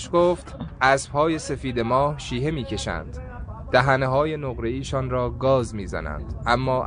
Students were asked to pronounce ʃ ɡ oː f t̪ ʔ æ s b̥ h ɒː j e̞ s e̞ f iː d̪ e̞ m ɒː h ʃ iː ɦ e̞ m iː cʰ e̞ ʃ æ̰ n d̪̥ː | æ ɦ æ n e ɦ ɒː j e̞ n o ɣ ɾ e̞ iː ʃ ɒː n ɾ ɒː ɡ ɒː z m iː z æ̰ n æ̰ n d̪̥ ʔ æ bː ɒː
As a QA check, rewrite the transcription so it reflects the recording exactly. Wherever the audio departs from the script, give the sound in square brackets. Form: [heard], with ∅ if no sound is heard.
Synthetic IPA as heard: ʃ ɡ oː f t̪ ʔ æ s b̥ h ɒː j e̞ s e̞ f iː d̪ e̞ m ɒː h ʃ iː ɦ e̞ m iː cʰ e̞ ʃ æ̰ n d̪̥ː | æ ɦ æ n e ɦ ɒː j e̞ n o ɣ ɾ e̞ iː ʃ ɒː n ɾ ɒː ɡ ɒː z m iː z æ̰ n æ̰ n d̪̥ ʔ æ [mː] ɒː